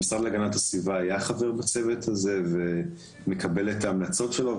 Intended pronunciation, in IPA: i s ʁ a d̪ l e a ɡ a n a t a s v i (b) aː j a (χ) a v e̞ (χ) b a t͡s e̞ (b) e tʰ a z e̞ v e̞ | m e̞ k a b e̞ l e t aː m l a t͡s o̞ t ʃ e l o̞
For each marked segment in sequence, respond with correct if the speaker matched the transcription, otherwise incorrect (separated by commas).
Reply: incorrect, correct, incorrect, incorrect